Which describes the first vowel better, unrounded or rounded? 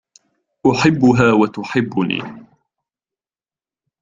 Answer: rounded